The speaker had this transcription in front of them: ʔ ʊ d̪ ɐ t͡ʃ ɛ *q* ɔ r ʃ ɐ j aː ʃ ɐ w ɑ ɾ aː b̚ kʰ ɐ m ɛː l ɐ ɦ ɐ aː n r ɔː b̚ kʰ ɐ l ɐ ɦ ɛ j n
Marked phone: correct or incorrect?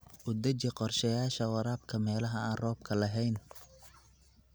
correct